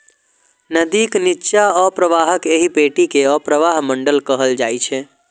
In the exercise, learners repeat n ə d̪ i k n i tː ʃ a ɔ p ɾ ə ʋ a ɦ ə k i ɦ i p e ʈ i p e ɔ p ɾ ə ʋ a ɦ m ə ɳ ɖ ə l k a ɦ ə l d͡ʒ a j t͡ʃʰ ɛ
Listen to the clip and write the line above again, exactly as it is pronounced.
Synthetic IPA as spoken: n ə d̪ i k n i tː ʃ a ɔ p ɾ ə ʋ a ɦ ə k e ɦ i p e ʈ i k e ɔ p ɾ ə ʋ a ɦ m ə ɳ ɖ ə l k ə ɦ ə l d͡ʒ a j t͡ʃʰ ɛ